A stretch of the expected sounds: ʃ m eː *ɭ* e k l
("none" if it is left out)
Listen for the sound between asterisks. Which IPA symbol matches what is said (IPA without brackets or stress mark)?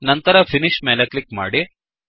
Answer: l